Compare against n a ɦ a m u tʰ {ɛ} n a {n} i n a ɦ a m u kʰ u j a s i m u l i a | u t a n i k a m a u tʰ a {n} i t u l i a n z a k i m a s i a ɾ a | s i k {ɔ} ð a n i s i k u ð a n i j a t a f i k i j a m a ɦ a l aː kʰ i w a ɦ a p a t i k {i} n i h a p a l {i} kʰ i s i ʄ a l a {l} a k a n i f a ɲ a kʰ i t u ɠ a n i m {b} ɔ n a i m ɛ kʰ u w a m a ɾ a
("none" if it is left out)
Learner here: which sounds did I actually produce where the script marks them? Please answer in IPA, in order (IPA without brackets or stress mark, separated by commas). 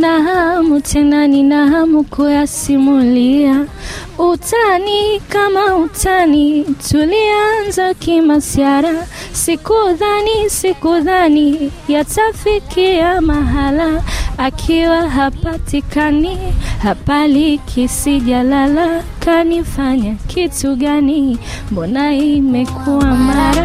ɛ, n, n, u, a, i, l, b